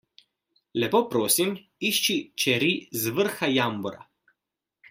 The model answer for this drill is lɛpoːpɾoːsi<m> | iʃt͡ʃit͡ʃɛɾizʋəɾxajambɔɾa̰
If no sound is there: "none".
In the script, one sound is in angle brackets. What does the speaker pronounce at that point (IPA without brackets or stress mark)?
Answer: m